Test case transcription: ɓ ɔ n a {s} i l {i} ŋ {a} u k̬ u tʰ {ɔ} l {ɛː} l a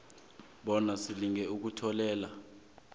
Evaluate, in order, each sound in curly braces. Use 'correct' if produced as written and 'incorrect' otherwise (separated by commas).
correct, correct, incorrect, correct, correct